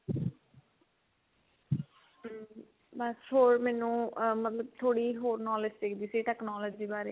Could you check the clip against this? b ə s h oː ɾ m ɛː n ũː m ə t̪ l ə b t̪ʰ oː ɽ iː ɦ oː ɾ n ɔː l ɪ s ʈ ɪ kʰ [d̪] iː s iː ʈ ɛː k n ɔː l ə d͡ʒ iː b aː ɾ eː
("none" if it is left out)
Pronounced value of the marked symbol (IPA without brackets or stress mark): d̪